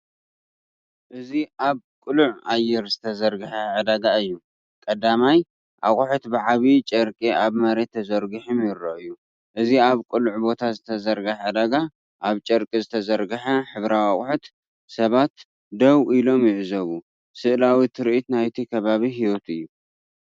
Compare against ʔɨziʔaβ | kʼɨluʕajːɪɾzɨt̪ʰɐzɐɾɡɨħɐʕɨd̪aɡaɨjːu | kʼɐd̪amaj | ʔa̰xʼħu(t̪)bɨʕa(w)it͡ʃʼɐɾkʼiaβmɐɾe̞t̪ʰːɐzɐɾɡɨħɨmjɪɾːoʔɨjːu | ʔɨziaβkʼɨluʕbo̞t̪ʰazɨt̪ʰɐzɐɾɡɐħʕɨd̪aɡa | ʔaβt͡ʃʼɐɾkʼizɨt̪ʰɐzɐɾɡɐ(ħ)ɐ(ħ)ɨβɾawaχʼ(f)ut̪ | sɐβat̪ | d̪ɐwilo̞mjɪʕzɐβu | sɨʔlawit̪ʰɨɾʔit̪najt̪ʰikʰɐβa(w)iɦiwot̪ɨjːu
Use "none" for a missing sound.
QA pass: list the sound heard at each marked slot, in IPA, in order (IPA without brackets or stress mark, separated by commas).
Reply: t̪, β, ħ, ħ, ħ, β